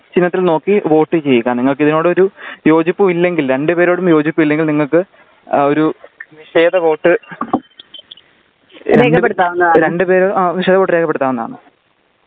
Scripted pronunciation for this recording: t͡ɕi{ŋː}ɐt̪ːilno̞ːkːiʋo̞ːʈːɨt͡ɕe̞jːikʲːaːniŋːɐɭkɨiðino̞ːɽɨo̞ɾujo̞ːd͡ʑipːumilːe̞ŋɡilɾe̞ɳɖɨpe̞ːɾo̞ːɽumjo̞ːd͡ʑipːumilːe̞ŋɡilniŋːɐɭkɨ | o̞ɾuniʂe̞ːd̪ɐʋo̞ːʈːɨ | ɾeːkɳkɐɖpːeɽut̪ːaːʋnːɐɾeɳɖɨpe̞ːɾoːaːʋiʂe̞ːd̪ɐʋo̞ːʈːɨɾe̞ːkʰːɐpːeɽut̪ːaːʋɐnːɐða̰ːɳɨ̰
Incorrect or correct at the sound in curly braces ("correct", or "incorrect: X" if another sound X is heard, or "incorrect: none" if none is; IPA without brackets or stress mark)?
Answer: incorrect: nː